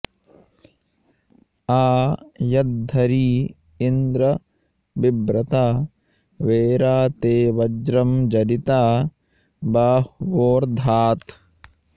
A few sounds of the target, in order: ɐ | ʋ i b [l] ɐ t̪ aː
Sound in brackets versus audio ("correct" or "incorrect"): incorrect